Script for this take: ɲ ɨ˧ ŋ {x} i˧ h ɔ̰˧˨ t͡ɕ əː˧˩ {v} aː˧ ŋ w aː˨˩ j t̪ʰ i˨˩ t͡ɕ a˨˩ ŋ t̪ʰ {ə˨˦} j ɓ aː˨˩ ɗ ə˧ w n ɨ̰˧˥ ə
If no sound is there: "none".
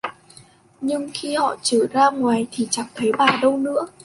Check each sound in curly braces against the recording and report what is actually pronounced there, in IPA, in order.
x, z, ə˨˦

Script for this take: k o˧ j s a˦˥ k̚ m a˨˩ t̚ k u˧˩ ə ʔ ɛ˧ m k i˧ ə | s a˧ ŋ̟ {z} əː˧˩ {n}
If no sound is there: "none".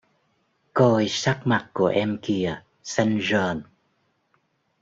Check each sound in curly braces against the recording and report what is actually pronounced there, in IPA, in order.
z, n

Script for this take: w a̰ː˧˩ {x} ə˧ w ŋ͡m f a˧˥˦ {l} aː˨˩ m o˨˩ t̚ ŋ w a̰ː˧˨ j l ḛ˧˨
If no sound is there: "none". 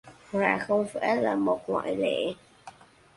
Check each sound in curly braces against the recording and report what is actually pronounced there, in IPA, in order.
x, l

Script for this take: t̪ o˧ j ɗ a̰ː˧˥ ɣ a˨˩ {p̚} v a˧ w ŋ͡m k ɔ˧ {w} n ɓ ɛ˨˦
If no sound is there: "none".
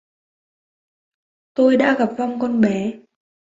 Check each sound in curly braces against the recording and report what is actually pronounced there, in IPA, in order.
p̚, none

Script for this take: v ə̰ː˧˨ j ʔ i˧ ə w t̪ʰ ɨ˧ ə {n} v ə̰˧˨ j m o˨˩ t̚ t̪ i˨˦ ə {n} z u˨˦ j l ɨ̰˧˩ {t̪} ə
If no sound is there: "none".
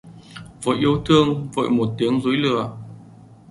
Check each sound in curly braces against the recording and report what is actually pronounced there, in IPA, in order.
ŋ, ŋ, none

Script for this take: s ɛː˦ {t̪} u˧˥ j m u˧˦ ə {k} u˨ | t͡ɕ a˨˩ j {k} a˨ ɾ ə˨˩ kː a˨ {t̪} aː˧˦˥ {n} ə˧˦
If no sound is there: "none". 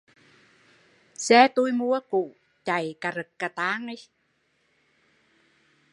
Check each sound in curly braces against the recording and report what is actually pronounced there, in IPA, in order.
t̪, k, k, t̪, ŋ

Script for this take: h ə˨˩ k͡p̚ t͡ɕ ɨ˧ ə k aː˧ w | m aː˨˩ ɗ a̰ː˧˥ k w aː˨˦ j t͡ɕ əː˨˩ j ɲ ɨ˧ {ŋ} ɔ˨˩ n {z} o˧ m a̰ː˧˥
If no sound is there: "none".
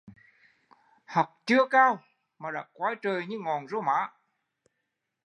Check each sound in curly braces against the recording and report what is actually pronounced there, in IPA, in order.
ŋ, z

